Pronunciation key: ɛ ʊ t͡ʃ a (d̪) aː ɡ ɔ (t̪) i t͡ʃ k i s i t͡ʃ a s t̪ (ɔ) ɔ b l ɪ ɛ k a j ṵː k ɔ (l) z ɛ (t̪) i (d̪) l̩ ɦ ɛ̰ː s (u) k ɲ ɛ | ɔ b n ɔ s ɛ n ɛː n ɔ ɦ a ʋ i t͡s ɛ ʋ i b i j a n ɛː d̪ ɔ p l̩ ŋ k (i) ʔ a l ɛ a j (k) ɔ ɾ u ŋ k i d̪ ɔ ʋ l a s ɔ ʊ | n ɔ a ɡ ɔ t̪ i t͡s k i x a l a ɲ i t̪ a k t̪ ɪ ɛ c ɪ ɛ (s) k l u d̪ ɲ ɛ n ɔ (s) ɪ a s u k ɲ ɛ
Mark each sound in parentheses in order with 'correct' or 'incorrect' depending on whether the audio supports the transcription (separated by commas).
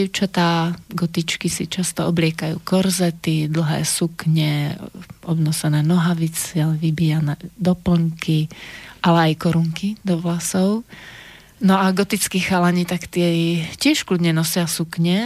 incorrect, correct, correct, incorrect, correct, correct, correct, correct, correct, incorrect, correct